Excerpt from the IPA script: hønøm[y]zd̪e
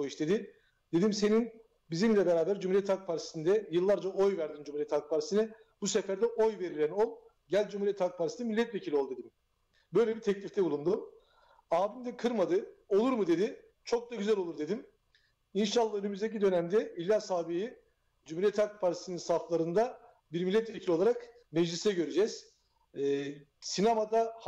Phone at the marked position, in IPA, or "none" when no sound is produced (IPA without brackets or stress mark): y